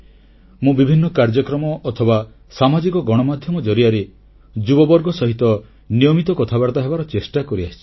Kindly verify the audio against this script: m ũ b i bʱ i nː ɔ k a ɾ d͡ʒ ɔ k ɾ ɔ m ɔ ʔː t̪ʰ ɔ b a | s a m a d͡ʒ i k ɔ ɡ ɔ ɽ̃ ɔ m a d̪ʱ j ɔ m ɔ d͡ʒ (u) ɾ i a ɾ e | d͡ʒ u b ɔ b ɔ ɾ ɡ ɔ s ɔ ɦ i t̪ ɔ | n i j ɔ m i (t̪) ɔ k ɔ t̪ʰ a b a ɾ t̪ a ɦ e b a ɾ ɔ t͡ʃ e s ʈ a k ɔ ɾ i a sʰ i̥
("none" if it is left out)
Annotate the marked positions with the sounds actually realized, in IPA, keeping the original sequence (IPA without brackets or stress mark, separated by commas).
ɔ, t̪